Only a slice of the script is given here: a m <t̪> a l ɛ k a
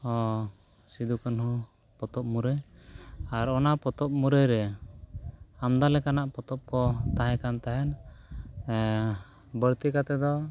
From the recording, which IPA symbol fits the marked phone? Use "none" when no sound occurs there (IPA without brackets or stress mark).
d̪